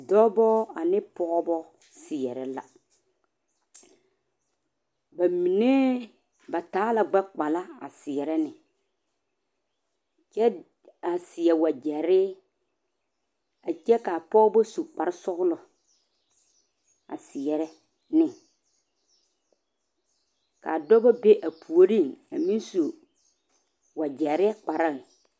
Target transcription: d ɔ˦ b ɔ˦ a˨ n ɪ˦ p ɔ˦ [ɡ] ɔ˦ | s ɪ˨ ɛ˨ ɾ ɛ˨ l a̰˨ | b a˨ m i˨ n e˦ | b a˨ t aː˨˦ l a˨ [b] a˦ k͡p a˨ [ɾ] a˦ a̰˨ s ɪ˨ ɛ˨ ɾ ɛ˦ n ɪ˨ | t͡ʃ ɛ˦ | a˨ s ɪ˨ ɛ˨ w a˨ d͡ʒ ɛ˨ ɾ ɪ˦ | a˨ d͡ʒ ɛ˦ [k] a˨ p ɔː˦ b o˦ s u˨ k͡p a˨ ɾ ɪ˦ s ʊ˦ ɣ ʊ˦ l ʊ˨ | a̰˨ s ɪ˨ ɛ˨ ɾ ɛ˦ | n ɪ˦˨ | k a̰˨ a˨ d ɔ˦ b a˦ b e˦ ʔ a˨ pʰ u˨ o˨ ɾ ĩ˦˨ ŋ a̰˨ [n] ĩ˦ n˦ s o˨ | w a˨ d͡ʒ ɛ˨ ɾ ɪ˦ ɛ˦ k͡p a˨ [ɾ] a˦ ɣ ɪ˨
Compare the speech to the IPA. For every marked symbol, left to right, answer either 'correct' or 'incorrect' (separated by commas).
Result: incorrect, incorrect, incorrect, correct, incorrect, correct